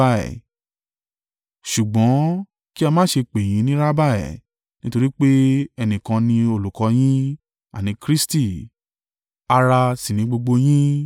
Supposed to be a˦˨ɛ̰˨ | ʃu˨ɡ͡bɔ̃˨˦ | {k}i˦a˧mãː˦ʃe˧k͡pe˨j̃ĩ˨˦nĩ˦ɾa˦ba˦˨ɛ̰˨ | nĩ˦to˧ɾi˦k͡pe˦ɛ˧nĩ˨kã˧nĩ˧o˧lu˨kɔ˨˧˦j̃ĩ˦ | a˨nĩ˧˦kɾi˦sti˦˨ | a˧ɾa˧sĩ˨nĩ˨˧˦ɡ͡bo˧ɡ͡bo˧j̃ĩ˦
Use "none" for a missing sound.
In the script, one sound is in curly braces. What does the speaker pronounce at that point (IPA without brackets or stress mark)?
k